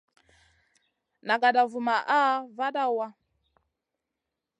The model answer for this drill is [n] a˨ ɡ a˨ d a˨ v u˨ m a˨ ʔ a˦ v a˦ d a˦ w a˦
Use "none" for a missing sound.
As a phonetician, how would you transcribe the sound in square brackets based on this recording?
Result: n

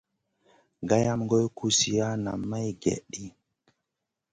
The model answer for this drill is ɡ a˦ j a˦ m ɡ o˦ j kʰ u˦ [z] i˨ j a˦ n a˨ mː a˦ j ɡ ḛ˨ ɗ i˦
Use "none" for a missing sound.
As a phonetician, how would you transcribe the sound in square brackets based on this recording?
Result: s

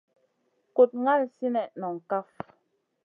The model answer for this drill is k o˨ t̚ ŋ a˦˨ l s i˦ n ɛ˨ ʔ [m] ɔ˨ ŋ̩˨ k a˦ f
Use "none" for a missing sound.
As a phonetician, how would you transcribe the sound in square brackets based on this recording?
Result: n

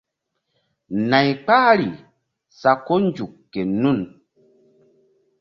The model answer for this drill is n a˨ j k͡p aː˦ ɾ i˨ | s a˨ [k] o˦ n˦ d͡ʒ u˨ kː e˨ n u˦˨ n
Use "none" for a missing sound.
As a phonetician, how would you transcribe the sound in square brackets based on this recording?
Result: k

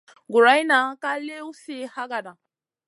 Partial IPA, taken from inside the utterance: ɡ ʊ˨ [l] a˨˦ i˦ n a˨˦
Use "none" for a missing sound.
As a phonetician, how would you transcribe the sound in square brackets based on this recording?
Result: ɾ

